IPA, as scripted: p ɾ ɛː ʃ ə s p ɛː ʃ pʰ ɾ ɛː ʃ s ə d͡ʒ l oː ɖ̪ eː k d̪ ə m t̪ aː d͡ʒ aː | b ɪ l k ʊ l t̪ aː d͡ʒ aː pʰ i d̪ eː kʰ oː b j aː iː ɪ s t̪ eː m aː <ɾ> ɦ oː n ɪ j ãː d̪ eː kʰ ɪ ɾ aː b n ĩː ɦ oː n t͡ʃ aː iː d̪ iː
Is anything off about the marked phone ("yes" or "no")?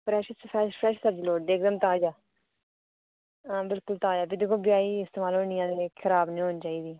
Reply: yes